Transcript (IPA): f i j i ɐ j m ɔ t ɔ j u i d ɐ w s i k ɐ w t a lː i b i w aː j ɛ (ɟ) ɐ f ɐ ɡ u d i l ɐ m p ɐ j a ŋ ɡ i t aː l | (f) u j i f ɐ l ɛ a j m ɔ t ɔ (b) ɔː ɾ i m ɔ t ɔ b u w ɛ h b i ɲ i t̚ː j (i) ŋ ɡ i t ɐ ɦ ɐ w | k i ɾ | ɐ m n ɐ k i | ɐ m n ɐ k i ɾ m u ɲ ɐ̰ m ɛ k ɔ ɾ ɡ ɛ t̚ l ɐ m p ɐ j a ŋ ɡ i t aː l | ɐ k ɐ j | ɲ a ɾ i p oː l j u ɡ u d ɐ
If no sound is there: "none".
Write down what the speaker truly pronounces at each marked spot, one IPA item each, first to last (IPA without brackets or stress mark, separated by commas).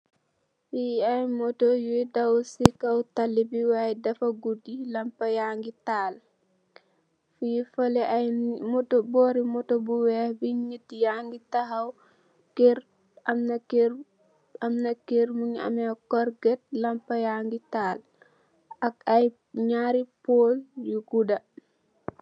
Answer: d, f, b, a